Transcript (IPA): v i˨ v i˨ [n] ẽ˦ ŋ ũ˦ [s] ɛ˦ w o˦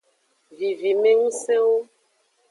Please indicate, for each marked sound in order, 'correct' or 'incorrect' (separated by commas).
incorrect, correct